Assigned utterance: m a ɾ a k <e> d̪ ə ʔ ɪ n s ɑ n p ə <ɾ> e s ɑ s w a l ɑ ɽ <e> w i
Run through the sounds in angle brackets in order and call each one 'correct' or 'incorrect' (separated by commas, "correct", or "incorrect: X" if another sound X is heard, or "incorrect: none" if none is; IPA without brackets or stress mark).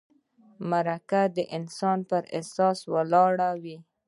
incorrect: a, correct, incorrect: a